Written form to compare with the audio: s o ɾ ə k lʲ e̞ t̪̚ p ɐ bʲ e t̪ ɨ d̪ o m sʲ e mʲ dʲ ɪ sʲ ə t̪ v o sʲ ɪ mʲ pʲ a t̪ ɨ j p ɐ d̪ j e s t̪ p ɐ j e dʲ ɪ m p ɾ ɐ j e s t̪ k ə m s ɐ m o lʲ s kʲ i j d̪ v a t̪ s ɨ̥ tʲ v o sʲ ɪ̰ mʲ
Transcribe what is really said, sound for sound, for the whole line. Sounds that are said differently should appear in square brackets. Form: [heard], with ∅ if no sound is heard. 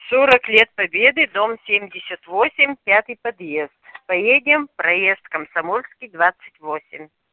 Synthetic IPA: s o ɾ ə k lʲ e̞ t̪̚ p ɐ bʲ e [d̪] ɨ d̪ o m sʲ e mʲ dʲ ɪ sʲ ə t̪ v o sʲ ɪ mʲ pʲ a t̪ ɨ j p ɐ d̪ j e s t̪ p ɐ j e dʲ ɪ m p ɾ ɐ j e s t̪ k ə m s ɐ m o lʲ s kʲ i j d̪ v a t̪ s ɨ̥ tʲ v o sʲ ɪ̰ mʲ